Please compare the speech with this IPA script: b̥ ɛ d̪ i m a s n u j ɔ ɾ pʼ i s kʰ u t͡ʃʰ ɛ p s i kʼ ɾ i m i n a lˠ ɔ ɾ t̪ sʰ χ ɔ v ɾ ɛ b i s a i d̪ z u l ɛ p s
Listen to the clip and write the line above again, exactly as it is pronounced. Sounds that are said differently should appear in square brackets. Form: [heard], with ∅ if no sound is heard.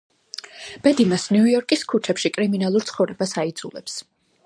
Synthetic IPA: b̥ ɛ d̪ i m a s n u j ɔ ɾ [kʼ] i s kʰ u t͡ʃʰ ɛ p [ʃ] i kʼ ɾ i m i n a lˠ [u] ɾ t̪ sʰ χ ɔ v ɾ ɛ b [a] s a i d̪ z u l ɛ p s

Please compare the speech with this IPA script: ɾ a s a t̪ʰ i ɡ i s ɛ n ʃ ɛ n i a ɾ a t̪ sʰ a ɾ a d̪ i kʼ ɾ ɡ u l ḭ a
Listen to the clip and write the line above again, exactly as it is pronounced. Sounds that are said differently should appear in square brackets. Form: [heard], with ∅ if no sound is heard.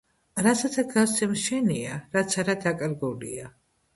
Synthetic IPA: ɾ a s a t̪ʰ [a] ɡ [a] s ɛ [m] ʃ ɛ n i a ɾ a t̪ sʰ a ɾ a d̪ [a] kʼ ɾ ɡ u l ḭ a

